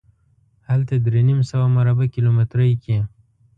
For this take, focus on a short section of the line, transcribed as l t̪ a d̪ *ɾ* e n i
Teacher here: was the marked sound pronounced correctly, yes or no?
yes